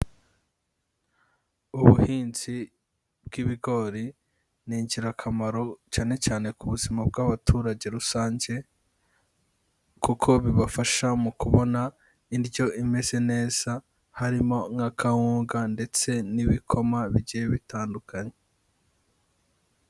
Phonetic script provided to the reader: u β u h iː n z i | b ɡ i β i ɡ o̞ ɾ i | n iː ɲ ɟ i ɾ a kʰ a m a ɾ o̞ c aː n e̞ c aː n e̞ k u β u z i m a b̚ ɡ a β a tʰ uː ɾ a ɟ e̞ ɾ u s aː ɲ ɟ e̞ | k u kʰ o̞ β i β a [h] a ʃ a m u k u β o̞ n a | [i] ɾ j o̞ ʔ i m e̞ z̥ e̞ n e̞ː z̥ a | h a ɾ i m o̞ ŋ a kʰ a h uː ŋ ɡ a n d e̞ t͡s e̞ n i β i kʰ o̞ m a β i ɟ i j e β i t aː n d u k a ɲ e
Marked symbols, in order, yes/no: no, yes

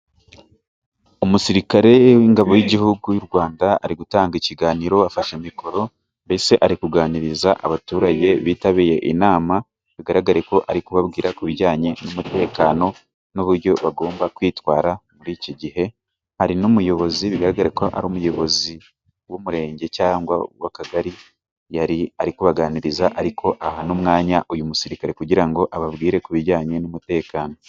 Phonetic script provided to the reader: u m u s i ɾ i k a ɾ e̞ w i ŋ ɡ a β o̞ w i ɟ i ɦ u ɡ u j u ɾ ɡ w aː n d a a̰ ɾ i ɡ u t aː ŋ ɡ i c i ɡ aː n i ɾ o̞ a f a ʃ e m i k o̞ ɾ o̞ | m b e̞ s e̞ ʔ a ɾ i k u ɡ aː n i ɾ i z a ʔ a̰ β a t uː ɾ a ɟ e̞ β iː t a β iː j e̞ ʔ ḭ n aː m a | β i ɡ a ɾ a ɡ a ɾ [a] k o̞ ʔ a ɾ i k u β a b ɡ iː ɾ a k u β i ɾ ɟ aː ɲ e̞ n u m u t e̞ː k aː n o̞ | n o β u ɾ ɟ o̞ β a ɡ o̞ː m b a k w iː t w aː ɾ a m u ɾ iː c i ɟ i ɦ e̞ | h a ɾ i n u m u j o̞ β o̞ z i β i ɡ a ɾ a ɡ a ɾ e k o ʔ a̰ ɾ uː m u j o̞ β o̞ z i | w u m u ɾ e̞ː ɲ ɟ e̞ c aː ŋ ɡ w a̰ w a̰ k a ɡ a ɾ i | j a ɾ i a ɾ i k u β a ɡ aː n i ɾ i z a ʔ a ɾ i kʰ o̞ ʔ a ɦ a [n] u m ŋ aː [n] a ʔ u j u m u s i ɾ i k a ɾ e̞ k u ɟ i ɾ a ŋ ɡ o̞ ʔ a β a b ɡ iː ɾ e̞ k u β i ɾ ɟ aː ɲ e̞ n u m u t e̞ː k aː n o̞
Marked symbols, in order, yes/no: no, yes, no

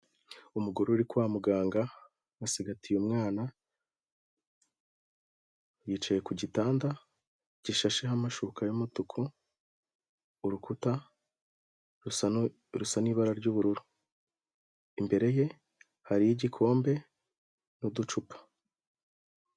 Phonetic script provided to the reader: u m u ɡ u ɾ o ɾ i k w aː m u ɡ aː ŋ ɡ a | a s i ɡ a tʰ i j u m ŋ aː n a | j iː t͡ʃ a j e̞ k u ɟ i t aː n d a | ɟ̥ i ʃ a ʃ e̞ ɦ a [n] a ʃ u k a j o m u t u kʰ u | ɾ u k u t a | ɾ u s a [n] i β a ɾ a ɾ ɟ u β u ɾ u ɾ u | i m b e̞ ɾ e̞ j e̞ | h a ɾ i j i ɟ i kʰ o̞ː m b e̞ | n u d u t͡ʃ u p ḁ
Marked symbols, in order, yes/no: no, yes

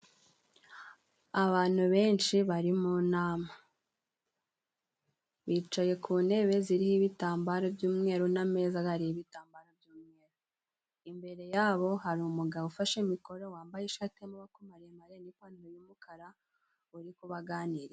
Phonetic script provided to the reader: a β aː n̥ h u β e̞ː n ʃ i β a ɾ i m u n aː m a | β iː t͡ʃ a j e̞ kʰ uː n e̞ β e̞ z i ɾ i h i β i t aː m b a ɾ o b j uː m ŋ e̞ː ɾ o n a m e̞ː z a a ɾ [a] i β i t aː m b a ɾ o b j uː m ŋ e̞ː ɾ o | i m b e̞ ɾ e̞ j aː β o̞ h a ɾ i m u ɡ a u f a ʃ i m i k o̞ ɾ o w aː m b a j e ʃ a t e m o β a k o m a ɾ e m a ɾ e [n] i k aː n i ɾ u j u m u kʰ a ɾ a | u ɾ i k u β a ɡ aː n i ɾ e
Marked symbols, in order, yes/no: no, yes

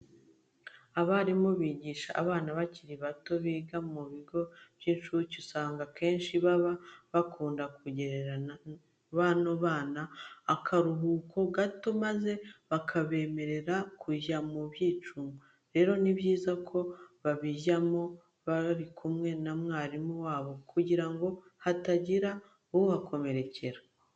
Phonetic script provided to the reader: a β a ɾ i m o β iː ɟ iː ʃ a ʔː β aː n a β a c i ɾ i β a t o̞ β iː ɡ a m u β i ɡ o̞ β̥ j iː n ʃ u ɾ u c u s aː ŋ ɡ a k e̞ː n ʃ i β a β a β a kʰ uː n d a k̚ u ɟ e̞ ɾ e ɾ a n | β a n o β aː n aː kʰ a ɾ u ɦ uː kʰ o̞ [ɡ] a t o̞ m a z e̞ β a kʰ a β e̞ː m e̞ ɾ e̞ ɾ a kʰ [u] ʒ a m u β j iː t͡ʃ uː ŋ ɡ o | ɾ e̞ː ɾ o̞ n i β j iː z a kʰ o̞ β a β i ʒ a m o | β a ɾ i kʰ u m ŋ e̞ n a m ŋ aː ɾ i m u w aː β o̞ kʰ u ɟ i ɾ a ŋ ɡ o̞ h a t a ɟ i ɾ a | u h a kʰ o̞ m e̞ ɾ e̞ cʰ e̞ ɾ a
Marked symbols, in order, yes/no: yes, yes

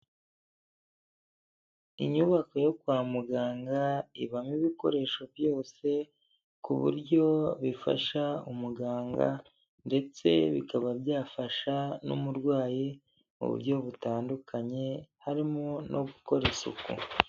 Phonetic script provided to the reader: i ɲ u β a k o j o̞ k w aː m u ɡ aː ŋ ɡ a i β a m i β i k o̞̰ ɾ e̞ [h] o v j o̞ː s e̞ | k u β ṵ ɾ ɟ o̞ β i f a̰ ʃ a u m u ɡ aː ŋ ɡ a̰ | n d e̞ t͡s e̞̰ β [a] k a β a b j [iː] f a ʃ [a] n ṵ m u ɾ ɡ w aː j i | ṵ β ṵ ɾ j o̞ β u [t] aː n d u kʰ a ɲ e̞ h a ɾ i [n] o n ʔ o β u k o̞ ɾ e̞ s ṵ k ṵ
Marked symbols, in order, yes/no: no, no, no, yes, yes, no

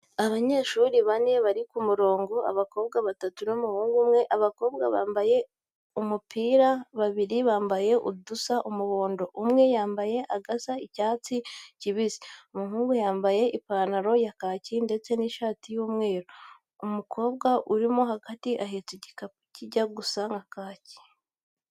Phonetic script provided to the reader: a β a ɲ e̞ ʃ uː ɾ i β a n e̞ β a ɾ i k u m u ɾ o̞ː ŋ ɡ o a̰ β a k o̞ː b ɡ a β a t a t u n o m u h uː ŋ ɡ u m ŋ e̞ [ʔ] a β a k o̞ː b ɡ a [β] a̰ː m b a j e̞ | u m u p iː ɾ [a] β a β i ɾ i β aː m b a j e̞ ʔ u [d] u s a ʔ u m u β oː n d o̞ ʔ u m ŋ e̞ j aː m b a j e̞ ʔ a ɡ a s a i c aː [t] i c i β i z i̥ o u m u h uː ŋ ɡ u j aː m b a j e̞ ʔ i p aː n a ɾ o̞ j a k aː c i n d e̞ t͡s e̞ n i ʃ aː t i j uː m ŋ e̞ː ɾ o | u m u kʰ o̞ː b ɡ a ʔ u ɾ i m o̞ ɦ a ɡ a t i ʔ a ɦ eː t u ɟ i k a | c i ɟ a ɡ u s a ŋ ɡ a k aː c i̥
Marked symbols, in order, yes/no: yes, yes, yes, yes, no

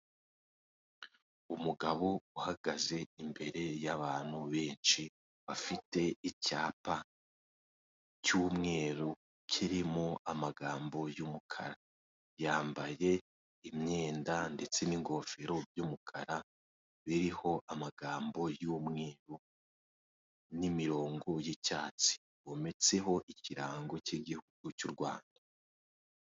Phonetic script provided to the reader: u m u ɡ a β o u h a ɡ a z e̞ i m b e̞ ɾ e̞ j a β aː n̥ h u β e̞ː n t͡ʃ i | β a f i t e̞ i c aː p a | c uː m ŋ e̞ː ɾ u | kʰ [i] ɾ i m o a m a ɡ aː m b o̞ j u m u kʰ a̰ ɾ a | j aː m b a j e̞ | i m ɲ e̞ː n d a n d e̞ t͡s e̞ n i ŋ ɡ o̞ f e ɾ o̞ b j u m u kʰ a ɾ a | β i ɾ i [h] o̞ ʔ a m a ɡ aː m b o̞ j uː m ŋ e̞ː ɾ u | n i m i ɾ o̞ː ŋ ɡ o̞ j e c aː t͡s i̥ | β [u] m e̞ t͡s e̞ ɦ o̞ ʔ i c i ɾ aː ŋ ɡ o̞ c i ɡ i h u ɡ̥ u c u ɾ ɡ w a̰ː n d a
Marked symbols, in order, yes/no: yes, yes, no

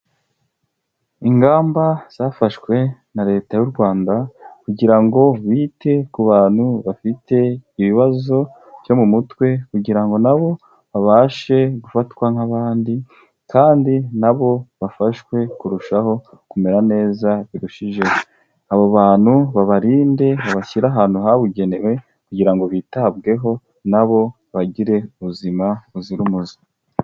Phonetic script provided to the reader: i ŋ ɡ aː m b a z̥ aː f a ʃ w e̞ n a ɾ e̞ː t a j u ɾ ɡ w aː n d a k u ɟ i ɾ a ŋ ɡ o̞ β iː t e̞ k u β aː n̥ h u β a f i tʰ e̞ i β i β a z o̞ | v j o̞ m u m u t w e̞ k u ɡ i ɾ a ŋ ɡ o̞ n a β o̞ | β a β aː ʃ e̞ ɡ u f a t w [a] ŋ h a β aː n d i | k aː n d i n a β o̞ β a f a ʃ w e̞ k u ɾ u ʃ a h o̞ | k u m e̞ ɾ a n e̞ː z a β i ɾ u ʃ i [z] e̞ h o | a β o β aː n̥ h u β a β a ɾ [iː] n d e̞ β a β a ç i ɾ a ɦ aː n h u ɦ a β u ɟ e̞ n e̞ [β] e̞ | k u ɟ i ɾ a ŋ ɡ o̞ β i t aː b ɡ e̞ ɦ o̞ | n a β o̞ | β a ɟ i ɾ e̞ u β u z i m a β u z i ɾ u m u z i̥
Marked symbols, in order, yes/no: yes, no, yes, no

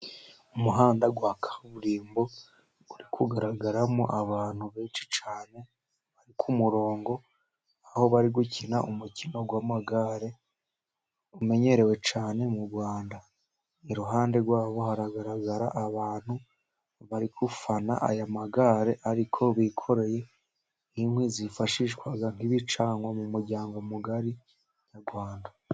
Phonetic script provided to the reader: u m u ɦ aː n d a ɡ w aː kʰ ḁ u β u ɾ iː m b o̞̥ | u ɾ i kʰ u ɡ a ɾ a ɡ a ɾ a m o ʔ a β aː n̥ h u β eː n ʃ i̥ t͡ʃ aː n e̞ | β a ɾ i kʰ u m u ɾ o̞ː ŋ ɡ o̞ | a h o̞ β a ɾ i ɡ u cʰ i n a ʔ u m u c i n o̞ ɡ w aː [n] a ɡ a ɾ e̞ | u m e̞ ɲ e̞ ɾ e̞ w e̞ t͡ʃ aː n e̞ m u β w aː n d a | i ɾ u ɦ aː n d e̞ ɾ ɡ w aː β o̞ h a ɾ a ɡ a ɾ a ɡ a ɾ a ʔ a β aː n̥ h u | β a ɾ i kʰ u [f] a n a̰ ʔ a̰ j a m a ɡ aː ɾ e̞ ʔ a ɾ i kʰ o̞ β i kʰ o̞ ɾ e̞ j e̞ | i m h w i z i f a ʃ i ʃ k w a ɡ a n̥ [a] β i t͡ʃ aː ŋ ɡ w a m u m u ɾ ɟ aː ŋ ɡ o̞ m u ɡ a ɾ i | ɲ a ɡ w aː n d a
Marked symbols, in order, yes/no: no, yes, no

